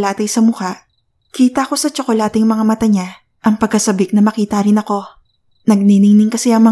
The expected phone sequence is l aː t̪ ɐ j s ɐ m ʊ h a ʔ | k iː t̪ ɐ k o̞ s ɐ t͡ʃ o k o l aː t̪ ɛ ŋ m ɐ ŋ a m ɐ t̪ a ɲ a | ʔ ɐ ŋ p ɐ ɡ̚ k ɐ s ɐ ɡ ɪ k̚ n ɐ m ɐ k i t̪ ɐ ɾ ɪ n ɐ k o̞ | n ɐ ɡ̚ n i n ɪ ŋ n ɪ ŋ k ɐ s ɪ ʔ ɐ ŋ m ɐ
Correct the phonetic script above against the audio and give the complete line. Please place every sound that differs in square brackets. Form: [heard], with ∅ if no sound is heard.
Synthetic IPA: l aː t̪ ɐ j s ɐ m ʊ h a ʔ | k iː t̪ ɐ k o̞ s ɐ t͡ʃ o k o l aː t̪ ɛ ŋ m ɐ ŋ a m ɐ t̪ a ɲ a | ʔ ɐ ŋ p ɐ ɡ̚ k ɐ s ɐ [b] ɪ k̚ n ɐ m ɐ k [iː] t̪ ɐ ɾ ɪ n ɐ k o̞ | n ɐ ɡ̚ n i n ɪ ŋ n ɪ ŋ k ɐ s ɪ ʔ ɐ ŋ m ɐ